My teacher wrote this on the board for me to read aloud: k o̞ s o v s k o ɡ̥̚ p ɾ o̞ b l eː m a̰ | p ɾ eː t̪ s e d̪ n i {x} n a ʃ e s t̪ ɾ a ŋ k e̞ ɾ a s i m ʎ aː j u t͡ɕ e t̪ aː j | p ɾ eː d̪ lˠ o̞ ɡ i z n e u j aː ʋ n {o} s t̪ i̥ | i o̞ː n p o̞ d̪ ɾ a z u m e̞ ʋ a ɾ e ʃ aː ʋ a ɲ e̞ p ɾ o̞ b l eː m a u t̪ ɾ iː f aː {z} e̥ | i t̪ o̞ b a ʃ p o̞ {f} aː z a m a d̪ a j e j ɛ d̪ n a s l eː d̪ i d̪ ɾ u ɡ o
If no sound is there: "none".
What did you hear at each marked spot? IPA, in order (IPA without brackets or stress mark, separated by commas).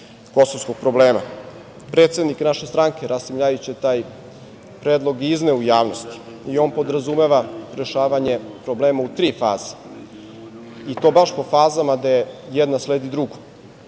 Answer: k, o, z, f